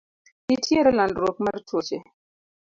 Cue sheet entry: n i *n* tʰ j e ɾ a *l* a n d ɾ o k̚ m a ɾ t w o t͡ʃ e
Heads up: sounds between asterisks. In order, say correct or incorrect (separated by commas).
incorrect, correct